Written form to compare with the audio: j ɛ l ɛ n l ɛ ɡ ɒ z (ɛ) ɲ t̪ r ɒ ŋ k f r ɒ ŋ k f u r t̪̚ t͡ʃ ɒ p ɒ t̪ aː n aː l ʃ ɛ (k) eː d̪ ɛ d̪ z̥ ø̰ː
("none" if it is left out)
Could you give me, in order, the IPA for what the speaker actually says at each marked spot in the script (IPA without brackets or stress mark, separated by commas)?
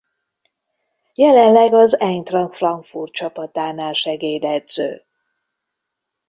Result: ɛ, ɡ